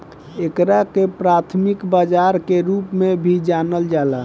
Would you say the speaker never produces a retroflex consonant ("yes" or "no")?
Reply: yes